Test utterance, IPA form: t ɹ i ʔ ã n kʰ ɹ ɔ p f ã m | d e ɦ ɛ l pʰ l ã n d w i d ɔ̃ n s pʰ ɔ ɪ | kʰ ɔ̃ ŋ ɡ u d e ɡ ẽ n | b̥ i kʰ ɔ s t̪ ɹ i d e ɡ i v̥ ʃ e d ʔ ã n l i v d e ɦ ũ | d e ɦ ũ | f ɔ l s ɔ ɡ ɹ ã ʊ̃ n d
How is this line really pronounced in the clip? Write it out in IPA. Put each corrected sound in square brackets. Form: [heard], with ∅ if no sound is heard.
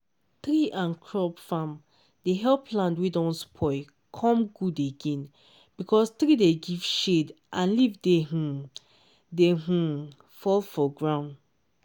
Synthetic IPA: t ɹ i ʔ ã n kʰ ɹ ɔ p f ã m | d e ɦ ɛ l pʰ l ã n d w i d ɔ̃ n s pʰ ɔ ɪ | kʰ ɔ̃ [m] ɡ u d e ɡ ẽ n | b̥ i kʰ ɔ s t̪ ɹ i d e ɡ i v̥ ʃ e d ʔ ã n l i v d e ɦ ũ | d e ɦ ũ | f ɔ l [f] ɔ ɡ ɹ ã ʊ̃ n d